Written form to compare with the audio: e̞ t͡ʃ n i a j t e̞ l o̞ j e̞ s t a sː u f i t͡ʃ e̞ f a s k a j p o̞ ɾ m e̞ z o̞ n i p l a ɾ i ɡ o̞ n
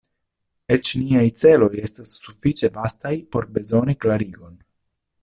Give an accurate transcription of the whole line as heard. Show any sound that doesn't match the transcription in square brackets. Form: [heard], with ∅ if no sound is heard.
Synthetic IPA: e̞ t͡ʃ n i a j [t͡s] e̞ l o̞ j e̞ s t a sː u f i t͡ʃ e̞ [v] a s [t] a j p o̞ ɾ [b] e̞ z o̞ n i [k] l a ɾ i ɡ o̞ n